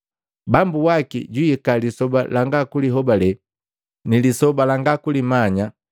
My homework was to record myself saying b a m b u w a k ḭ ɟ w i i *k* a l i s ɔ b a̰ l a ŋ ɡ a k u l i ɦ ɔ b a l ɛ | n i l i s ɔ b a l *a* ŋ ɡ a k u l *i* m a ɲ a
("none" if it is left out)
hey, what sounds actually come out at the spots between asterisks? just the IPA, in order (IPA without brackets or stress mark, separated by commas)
k, a, i